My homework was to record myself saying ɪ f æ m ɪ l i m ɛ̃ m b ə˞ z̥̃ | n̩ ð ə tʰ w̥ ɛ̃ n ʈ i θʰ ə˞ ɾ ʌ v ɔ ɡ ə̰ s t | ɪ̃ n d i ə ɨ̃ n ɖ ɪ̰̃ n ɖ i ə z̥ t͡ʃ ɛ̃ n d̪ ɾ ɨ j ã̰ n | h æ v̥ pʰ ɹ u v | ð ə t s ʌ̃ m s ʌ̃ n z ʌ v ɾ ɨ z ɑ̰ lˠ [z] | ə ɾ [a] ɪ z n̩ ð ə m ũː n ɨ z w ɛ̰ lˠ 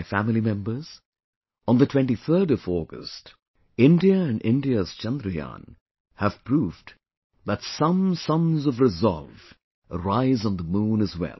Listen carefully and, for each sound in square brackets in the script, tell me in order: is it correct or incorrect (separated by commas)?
incorrect, correct